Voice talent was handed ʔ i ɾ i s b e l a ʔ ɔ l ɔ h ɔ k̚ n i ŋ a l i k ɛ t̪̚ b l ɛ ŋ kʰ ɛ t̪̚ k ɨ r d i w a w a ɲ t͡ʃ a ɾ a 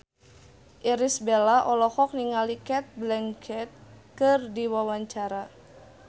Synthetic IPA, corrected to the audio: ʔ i ɾ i s b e l a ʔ ɔ l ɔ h ɔ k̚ n i ŋ a l i k ɛ t̪̚ b l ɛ ŋ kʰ ɛ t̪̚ k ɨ r d i w a w a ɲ t͡ʃ a ɾ a